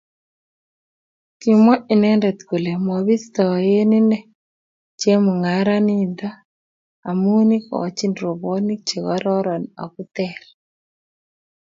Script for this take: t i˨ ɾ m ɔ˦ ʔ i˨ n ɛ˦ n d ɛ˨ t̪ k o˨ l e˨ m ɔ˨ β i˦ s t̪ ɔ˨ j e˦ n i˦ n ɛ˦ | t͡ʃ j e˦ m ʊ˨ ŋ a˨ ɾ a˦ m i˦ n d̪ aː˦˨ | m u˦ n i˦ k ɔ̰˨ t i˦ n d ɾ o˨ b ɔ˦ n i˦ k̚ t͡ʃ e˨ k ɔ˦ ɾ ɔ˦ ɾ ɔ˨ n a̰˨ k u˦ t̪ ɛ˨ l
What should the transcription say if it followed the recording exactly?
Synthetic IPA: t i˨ m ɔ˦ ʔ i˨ n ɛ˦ n d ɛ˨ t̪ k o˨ l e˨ m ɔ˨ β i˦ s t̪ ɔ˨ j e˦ n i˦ n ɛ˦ | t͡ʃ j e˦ m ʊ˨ ŋ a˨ ɾ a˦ n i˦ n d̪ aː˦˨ | m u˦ n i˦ k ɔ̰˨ t͡ʃ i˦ n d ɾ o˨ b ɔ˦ n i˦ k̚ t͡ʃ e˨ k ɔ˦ ɾ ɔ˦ ɾ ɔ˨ n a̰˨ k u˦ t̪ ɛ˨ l